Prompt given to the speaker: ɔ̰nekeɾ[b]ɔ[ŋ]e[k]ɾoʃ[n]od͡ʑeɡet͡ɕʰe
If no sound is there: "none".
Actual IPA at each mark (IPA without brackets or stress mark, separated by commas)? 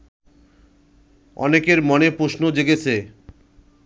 m, n, p, n